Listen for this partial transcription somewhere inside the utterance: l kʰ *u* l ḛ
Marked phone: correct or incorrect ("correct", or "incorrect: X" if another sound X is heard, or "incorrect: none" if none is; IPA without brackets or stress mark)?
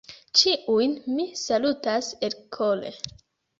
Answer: incorrect: o